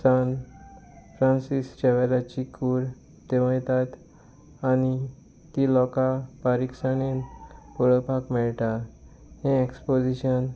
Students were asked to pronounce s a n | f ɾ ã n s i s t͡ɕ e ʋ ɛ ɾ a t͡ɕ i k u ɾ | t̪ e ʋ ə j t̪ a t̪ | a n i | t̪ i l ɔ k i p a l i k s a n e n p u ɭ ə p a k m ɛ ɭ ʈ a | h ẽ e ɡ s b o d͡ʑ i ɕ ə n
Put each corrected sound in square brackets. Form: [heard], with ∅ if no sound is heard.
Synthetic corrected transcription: s a n | f ɾ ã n s i s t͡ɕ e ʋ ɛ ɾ a t͡ɕ i k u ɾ | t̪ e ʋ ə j t̪ a t̪ | a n i | t̪ i l ɔ k [a] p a [ɾ] i k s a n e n p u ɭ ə p a k m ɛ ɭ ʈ a | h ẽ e [k] s [p] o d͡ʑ i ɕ ə n

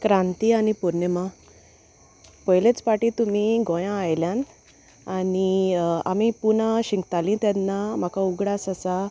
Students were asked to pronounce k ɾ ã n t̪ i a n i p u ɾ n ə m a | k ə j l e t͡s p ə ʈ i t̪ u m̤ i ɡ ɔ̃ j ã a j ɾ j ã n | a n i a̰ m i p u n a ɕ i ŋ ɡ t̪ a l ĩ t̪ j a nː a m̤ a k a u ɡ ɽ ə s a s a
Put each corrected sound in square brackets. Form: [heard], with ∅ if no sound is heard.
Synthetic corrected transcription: k ɾ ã n t̪ i a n i p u ɾ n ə m a | [p] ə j l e t͡s p [a] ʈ i t̪ u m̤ i ɡ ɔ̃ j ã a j [l] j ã n | a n i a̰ m i p u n a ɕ i ŋ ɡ t̪ a l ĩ t̪ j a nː a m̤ a k a u ɡ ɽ [a] s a s a

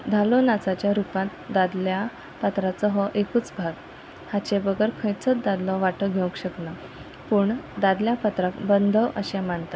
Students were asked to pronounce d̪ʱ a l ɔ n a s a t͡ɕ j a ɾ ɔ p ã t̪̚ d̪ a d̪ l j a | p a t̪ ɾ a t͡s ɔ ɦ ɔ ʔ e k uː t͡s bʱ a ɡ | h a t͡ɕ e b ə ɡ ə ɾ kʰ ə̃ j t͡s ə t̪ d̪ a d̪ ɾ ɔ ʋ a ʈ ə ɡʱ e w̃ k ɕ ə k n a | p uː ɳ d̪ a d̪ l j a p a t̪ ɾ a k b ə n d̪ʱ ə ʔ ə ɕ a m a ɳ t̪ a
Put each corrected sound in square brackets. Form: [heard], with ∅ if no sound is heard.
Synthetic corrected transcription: d̪ʱ a l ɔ n a [t͡s] a t͡ɕ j a ɾ [u] p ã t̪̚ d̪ a d̪ l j a | p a t̪ ɾ a t͡s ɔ ɦ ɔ ʔ e k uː t͡s bʱ a ɡ | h a t͡ɕ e b ə ɡ ə ɾ kʰ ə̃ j t͡s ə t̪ d̪ a d̪ [l] ɔ ʋ a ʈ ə ɡʱ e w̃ k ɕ ə k n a | p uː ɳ d̪ a d̪ l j a p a t̪ ɾ a k b ə n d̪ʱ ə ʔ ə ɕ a m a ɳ t̪ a

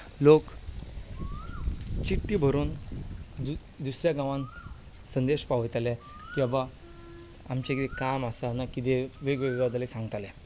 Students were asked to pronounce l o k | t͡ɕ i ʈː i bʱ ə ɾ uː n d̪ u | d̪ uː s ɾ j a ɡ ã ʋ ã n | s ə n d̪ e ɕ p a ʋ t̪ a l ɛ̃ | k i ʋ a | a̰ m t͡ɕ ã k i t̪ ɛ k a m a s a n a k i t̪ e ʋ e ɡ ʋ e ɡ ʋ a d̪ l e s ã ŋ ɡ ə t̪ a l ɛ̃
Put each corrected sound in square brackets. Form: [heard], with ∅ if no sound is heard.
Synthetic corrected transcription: l o k | t͡ɕ i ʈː i bʱ ə ɾ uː n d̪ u | d̪ [u] s ɾ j a ɡ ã ʋ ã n | s ə n d̪ e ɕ p a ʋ t̪ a l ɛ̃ | k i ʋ a | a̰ m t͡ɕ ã k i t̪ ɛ k a m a s a n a k i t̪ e ʋ e ɡ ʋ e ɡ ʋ a d̪ l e s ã ŋ ɡ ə t̪ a l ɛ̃

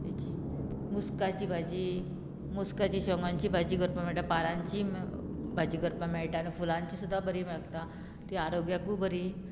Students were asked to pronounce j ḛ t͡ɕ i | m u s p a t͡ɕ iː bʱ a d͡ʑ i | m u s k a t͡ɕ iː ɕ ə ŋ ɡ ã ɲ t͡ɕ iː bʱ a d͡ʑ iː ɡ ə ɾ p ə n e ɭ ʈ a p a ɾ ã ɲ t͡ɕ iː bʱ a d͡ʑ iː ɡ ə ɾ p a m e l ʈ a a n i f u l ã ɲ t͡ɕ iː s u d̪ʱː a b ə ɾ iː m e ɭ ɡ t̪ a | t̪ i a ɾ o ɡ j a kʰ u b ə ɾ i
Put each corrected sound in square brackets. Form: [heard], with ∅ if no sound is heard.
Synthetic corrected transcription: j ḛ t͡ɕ i | m u s [k] a t͡ɕ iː bʱ a d͡ʑ i | m u s k a t͡ɕ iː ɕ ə ŋ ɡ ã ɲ t͡ɕ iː bʱ a d͡ʑ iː ɡ ə ɾ p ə [m] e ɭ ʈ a p a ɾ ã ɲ t͡ɕ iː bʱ a d͡ʑ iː ɡ ə ɾ p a m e [ɭ] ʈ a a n i f u l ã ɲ t͡ɕ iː s u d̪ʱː a b ə ɾ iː m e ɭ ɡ t̪ a | t̪ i a ɾ o ɡ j a [k] u b ə ɾ i

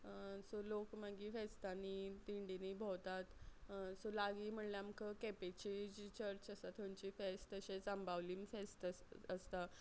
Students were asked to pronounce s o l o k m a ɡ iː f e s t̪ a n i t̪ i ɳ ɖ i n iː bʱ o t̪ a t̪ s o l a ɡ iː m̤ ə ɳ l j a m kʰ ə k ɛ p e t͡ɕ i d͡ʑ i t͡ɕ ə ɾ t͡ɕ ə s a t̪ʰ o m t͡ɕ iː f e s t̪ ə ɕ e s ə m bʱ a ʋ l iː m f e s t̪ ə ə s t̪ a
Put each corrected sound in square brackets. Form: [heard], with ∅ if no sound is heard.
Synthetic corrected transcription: s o l o k m a ɡ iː f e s t̪ a n i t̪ i ɳ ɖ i n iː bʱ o t̪ a t̪ s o l a ɡ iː m̤ ə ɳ l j a m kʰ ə k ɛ p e t͡ɕ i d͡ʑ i t͡ɕ ə ɾ t͡ɕ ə s a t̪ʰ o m t͡ɕ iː f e s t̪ ə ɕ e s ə m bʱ a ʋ l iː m f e s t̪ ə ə s t̪ a

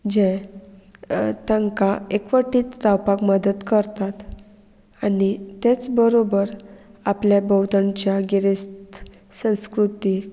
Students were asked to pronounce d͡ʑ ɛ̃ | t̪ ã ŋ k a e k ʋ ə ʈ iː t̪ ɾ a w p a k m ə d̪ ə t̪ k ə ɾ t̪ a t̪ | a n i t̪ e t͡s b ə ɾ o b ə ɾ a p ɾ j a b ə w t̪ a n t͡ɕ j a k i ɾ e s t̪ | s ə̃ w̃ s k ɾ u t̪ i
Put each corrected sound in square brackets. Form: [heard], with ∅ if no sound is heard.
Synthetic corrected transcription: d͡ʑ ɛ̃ | t̪ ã ŋ k a e k ʋ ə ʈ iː t̪ ɾ a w p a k m ə d̪ ə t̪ k ə ɾ t̪ a t̪ | a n i t̪ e t͡s b ə ɾ o b ə ɾ a p [l] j a b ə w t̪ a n t͡ɕ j a [ɡ] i ɾ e s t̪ | s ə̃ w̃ s k ɾ u t̪ i

